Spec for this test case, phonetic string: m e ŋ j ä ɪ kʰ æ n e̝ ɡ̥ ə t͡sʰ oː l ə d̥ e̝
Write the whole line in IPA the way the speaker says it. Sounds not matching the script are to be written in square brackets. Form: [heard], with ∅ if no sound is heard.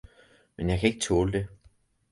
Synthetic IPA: m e [n] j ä ɪ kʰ æ [∅] e̝ ɡ̥ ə t͡sʰ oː l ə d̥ e̝

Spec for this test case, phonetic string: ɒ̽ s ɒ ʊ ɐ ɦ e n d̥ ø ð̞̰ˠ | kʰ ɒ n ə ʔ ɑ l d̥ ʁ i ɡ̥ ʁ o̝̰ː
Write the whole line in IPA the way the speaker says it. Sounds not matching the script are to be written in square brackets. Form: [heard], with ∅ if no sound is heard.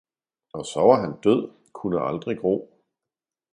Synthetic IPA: ɒ̽ s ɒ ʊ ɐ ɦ [æ] n d̥ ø ð̞̰ˠ | kʰ [u] n ə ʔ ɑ l d̥ ʁ i ɡ̥ ʁ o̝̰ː

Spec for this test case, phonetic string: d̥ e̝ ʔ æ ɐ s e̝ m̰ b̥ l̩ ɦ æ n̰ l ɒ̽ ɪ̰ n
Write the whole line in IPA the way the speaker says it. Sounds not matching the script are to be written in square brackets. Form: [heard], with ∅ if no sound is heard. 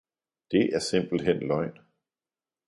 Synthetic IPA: d̥ e̝ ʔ æ ɐ s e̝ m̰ b̥ l̩ ɦ [e] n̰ l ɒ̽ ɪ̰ n

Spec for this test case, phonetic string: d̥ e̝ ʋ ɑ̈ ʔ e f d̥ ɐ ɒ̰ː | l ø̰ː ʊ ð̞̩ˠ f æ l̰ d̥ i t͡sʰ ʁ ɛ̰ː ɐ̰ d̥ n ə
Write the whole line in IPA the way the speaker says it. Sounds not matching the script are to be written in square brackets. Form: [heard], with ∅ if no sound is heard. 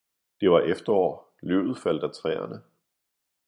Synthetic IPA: d̥ e̝ ʋ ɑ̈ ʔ e f d̥ ɐ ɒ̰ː | l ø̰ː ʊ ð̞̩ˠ f æ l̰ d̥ [æ] t͡sʰ ʁ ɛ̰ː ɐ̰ [∅] n ə

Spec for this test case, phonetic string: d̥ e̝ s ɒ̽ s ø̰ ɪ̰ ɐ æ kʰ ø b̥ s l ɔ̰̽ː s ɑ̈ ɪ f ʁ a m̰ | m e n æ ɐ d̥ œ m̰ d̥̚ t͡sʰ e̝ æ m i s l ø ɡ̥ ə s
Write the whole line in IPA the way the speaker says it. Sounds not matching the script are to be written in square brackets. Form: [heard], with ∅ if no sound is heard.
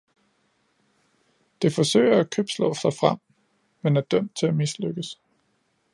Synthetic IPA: d̥ e̝ [f] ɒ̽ s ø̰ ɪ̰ ɐ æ kʰ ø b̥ s l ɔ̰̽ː s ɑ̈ ɪ f ʁ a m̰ | m e n æ ɐ d̥ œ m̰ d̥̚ t͡sʰ e̝ æ m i s l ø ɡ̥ ə s

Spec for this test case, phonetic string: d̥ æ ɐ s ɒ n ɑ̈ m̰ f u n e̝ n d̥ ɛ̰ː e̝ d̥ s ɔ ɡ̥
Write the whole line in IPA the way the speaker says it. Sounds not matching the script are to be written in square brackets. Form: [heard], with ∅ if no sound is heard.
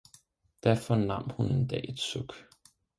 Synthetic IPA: d̥ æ ɐ [f] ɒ n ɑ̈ m̰ [h] u n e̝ n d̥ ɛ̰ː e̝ d̥ s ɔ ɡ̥

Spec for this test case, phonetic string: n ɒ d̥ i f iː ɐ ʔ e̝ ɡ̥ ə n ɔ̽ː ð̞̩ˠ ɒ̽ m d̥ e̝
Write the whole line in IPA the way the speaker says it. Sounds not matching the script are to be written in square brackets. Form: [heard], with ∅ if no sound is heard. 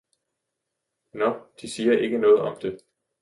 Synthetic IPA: n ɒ d̥ i [s] iː ɐ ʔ e̝ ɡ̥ ə n ɔ̽ː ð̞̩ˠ ɒ̽ m d̥ e̝

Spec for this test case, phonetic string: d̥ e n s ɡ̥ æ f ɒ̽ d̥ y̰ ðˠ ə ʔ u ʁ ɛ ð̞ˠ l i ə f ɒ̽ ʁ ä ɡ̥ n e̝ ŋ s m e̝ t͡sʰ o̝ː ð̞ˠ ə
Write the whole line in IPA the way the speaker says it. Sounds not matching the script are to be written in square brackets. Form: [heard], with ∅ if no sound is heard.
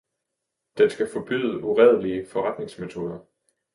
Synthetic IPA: d̥ e n s ɡ̥ æ f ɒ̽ [b̥] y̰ ðˠ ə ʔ u ʁ ɛ ð̞ˠ l i ə f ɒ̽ ʁ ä [d̥] n e̝ ŋ s m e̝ t͡sʰ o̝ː ð̞ˠ [ɐ]

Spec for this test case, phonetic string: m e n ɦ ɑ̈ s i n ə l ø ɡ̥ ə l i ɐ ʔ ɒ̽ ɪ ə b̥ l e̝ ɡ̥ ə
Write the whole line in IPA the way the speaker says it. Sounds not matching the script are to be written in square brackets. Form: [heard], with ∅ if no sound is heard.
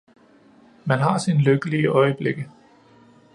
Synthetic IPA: m [æ] n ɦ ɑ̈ s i n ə l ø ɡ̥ ə l i [ə] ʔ ɒ̽ ɪ ə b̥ l e̝ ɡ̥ ə

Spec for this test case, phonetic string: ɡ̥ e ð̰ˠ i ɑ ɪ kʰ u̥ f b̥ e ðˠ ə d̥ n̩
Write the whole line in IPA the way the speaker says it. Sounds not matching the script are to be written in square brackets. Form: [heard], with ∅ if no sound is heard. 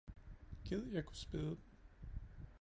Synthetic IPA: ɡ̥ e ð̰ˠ [j] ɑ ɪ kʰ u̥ [s] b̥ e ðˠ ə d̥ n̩

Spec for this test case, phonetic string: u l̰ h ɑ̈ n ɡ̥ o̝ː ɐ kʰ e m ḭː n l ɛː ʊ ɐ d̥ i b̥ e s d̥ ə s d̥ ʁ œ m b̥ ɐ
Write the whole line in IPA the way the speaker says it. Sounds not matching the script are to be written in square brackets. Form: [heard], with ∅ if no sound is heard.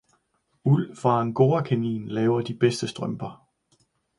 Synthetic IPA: u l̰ [f] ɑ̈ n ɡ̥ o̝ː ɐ kʰ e [n] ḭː n l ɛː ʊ ɐ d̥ i b̥ e s d̥ ə s d̥ ʁ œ m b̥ ɐ

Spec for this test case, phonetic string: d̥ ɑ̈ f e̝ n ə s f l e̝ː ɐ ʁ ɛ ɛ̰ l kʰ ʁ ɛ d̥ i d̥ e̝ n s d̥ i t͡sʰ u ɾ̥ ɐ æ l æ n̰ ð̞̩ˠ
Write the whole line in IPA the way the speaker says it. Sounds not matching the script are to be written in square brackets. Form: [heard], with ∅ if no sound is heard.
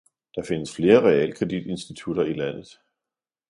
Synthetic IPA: d̥ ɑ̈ f e̝ n ə s f l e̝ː ɐ ʁ ɛ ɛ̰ l kʰ ʁ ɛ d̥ i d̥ e̝ n s d̥ i t͡sʰ u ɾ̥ ɐ [i] l æ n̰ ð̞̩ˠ

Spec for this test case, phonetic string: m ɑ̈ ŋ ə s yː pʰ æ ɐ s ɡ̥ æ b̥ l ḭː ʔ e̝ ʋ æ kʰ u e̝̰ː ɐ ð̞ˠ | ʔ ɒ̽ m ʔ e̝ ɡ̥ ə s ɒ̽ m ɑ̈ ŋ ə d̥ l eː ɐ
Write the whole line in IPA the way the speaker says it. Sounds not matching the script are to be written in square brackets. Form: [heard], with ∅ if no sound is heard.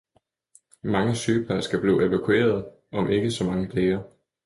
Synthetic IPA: m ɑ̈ ŋ ə s yː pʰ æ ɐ s ɡ̥ æ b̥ l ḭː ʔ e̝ ʋ æ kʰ u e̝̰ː ɐ ð̞ˠ | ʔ ɒ̽ m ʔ e̝ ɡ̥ ə s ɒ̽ m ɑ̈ ŋ ə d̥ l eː ɐ

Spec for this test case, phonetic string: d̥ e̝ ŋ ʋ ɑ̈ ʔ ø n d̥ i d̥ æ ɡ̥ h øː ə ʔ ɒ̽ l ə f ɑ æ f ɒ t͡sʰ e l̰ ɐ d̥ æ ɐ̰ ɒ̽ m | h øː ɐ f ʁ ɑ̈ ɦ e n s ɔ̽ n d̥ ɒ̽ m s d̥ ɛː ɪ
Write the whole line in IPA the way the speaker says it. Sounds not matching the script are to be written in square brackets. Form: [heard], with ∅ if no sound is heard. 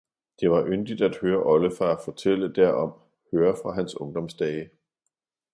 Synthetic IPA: d̥ e̝ [∅] ʋ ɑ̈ ʔ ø n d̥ i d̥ æ [d̥] h øː [ɐ] ʔ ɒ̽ l ə f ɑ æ f ɒ t͡sʰ e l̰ [ə] d̥ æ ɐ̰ ɒ̽ m | h øː ɐ f ʁ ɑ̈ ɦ [æ] n s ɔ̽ [ŋ] d̥ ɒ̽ m s d̥ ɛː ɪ

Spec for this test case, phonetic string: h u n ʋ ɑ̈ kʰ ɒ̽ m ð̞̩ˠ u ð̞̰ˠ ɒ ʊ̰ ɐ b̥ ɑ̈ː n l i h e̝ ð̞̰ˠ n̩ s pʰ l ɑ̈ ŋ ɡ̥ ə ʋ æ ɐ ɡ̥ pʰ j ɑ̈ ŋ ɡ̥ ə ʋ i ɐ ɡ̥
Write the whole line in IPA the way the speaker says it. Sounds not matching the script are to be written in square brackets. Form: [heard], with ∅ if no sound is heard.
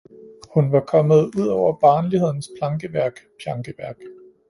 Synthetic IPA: h u n ʋ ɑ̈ kʰ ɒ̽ m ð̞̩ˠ u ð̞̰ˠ ɒ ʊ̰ ɐ b̥ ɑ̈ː n l i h e̝ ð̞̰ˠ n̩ s pʰ l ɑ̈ ŋ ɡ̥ ə ʋ æ ɐ ɡ̥ pʰ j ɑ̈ ŋ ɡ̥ ə ʋ [æ] ɐ ɡ̥

